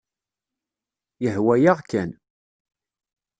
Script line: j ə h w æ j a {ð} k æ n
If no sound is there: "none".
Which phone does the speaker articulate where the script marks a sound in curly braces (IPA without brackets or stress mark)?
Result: ʁ